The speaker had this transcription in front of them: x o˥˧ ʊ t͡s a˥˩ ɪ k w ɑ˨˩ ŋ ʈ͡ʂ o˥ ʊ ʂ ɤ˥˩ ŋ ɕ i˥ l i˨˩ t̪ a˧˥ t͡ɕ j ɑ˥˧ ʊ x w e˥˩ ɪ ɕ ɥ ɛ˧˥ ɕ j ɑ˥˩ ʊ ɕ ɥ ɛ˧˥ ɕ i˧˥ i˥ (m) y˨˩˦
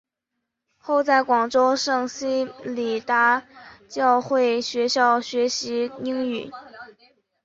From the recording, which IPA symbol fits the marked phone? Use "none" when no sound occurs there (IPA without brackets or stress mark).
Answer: ŋ